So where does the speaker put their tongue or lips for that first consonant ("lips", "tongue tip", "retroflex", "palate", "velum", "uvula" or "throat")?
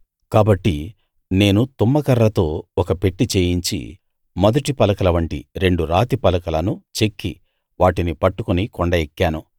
velum